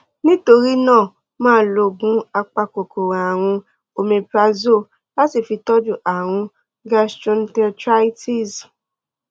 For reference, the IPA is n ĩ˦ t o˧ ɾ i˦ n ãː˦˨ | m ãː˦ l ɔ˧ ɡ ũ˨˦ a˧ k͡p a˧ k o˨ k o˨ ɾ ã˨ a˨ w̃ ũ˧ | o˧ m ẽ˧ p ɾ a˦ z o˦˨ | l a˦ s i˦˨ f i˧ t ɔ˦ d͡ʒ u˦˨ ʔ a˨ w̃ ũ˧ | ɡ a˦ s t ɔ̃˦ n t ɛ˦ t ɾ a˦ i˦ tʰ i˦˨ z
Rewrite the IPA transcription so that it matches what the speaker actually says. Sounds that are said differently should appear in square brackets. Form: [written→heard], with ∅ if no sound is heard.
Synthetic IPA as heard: n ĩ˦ t o˧ ɾ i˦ n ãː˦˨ | m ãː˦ l [ɔ˧→o˧] ɡ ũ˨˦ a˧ k͡p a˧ k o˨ k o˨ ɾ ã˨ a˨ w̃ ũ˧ | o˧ m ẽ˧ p ɾ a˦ z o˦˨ | l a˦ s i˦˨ f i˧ t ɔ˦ d͡ʒ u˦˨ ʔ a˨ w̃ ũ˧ | ɡ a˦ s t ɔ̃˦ n t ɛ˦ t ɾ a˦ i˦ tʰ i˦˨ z